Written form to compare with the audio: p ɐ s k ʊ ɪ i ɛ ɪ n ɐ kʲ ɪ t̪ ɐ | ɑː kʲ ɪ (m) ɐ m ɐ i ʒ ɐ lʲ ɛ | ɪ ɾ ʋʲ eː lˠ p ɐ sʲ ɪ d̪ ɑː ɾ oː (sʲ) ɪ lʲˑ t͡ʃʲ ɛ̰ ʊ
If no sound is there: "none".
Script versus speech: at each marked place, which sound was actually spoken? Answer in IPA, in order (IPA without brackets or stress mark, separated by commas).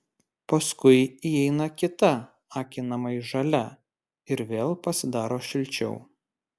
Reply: n, ʃʲ